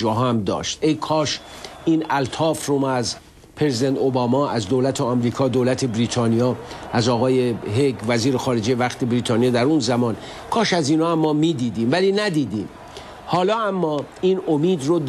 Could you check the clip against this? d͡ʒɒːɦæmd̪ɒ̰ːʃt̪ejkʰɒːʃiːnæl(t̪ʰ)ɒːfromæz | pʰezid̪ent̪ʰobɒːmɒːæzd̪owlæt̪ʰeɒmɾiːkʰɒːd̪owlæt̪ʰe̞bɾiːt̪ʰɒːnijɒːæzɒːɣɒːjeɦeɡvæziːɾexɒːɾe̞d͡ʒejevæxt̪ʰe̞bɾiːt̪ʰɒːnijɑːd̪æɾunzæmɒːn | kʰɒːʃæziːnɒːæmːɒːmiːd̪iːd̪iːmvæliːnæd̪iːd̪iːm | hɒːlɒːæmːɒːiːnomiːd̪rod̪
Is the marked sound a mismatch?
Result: no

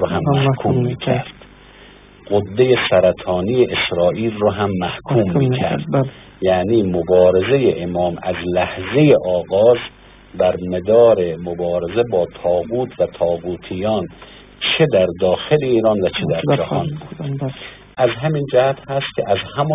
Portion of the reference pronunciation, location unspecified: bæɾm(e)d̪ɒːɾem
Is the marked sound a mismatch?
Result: no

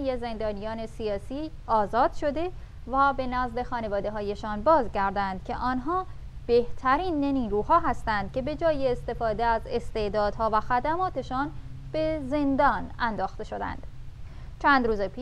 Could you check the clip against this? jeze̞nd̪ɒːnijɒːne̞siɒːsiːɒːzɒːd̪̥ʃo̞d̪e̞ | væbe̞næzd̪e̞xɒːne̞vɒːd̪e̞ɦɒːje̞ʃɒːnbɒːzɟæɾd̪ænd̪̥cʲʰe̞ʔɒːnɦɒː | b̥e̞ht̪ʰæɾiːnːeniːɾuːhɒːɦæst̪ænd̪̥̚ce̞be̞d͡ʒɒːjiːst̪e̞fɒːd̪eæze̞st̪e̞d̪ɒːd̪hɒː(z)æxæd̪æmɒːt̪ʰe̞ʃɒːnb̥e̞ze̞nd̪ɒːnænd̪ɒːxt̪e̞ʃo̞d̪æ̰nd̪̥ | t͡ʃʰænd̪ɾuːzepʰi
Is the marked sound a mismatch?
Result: yes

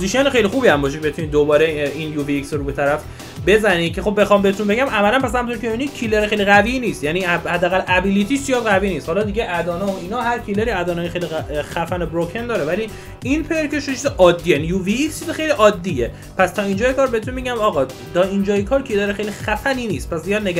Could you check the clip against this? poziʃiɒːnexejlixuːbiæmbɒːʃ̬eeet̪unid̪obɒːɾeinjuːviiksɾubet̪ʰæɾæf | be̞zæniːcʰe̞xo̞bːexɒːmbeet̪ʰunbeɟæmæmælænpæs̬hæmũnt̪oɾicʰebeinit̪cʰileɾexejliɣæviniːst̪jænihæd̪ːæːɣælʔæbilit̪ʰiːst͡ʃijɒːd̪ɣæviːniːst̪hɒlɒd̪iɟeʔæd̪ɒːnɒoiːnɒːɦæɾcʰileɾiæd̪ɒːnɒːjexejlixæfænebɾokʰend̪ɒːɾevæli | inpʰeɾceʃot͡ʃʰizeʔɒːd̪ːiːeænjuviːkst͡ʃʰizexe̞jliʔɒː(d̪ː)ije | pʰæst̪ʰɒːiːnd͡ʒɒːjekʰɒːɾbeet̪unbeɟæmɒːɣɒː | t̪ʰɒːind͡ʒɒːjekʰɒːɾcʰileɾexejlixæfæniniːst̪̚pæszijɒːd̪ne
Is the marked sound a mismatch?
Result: no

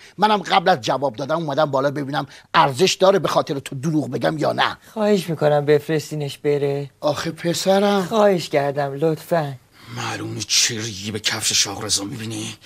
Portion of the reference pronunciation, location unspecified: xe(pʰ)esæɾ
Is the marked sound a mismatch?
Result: no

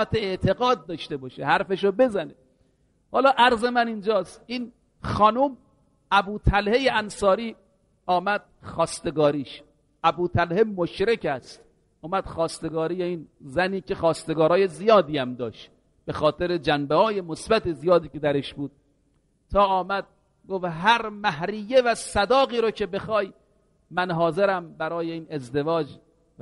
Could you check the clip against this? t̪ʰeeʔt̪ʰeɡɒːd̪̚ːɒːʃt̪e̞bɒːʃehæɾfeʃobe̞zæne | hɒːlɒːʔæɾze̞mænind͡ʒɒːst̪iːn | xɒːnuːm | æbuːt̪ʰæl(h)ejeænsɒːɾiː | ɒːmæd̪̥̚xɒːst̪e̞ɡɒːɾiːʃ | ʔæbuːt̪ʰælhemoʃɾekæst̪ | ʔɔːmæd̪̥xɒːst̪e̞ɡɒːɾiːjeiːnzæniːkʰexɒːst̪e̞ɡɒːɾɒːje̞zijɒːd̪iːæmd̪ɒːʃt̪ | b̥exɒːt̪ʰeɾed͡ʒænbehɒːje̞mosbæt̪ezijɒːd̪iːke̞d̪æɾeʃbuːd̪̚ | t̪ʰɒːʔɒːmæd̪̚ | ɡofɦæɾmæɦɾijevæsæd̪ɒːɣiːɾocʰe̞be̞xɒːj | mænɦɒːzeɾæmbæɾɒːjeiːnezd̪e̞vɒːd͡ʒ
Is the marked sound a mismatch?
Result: no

